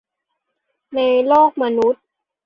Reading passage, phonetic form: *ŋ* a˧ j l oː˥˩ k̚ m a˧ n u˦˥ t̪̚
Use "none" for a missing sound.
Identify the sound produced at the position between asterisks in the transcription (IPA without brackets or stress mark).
n